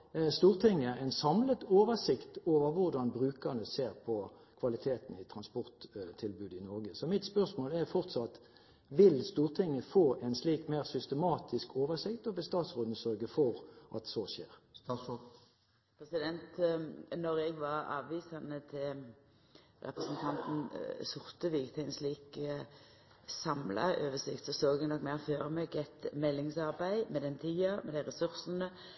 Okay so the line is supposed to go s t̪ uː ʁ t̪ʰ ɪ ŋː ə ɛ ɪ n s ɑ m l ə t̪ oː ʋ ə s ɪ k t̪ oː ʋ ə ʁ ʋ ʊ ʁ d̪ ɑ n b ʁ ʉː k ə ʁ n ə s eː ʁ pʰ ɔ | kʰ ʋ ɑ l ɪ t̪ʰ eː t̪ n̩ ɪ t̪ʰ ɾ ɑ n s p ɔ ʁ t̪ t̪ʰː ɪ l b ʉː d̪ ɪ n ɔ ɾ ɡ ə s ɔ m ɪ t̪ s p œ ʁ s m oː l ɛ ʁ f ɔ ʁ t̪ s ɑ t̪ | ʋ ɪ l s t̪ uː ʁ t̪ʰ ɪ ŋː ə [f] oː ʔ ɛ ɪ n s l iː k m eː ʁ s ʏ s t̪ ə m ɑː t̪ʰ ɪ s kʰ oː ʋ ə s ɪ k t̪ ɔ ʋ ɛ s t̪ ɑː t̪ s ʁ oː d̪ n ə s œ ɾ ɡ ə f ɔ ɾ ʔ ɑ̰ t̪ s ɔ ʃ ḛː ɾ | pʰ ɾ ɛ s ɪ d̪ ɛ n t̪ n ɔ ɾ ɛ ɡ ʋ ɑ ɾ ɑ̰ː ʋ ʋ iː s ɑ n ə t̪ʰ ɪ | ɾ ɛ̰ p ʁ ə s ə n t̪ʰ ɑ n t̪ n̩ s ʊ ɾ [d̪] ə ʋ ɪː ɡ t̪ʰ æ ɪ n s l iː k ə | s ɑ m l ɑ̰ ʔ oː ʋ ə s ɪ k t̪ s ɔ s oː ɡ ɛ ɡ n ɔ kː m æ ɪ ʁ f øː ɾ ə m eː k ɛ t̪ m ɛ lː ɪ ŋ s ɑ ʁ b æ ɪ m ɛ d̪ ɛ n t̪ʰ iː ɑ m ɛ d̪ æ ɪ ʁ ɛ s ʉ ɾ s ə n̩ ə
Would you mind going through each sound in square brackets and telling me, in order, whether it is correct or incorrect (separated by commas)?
correct, incorrect